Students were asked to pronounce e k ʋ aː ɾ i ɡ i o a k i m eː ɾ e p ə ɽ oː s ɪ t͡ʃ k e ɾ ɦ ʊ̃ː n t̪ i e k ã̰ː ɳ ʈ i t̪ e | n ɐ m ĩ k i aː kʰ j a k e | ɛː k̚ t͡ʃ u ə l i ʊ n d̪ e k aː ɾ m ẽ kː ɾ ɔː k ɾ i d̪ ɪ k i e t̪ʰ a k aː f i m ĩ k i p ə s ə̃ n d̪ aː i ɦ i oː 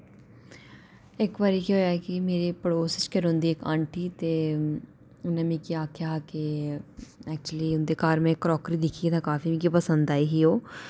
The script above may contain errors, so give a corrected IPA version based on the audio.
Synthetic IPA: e k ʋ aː ɾ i k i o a k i m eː ɾ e p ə ɽ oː s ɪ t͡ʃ k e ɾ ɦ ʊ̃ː n d̪ i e k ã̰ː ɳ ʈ i t̪ e | n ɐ m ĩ k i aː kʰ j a k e | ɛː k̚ t͡ʃ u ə l i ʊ n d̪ e k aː ɾ m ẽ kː ɾ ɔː k ɾ i d̪ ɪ kʰ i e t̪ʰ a k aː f i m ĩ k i p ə s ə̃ n d̪ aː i ɦ i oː